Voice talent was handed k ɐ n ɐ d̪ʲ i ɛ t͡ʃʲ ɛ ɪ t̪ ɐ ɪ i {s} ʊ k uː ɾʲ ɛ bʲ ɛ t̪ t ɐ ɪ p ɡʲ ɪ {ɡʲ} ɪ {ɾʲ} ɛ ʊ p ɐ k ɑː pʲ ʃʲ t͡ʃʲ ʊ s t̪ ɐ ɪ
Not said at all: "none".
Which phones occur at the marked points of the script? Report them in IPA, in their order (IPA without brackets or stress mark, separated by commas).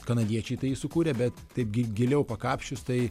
s, ɡʲ, lʲ